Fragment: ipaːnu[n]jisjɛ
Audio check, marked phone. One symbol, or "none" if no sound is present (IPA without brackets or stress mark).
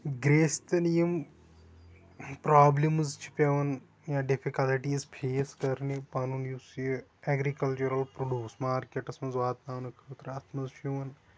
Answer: n